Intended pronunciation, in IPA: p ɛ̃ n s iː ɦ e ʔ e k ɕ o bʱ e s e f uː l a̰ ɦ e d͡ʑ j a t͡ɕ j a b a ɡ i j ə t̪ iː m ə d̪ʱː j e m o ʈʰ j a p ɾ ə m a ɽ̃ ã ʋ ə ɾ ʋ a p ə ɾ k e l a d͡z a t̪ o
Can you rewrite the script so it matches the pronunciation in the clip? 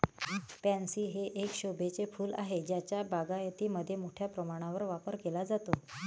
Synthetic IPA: p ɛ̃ n s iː ɦ e ʔ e k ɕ o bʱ e t͡s e f uː l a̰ ɦ e d͡ʑ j a t͡ɕ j a b a ɡ a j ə t̪ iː m ə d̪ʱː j e m o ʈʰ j a p ɾ ə m a ɽ̃ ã ʋ ə ɾ ʋ a p ə ɾ k e l a d͡z a t̪ o